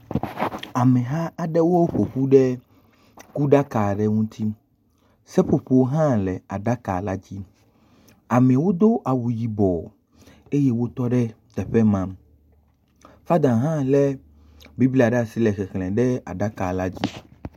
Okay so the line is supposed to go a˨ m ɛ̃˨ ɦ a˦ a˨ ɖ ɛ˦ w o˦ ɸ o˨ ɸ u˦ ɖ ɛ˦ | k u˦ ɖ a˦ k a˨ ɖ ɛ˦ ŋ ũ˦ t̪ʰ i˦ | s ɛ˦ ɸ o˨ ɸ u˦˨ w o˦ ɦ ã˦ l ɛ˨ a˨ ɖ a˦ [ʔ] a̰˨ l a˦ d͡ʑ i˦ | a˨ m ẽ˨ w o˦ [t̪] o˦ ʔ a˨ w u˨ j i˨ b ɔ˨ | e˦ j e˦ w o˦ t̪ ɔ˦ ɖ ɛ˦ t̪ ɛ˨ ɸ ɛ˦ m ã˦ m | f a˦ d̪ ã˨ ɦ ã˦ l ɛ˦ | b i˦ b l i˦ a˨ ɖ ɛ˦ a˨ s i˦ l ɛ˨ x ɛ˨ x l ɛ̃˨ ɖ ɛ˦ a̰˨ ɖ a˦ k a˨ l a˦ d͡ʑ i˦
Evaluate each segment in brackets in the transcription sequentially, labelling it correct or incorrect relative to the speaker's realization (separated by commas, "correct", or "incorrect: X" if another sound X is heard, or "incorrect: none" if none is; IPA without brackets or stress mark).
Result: incorrect: k, incorrect: d̪